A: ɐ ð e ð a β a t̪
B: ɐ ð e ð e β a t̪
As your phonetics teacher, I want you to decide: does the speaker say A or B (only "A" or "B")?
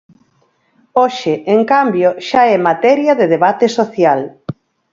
B